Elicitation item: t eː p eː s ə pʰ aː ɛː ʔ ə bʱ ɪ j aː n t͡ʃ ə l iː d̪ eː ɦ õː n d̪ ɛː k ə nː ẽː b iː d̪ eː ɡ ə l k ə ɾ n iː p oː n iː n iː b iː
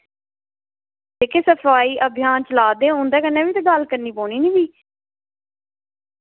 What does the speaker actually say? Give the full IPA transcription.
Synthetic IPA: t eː k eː s ə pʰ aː iː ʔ ə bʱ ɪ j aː n t͡ʃ ə l aː d̪ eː ɦ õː n d̪ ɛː k ə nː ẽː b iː t̪ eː ɡ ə l k ə ɾ n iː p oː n iː n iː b iː